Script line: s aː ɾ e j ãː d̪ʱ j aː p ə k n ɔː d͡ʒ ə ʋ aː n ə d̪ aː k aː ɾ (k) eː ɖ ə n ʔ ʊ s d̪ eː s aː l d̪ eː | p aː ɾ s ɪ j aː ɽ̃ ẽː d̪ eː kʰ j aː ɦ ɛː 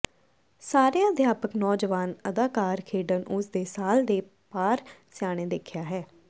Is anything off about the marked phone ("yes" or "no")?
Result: yes